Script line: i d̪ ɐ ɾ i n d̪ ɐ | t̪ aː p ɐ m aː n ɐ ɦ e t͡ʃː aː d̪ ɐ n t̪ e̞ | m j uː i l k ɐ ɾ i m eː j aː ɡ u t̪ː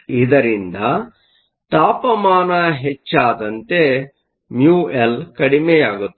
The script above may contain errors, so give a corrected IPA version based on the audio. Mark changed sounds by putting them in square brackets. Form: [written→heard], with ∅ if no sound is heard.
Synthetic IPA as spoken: i d̪ ɐ ɾ i n d̪ ɐ | t̪ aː p ɐ m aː n ɐ ɦ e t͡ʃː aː d̪ ɐ n t̪ e̞ | m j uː [i→e] l k ɐ [ɾ→ɽ] i m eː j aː ɡ u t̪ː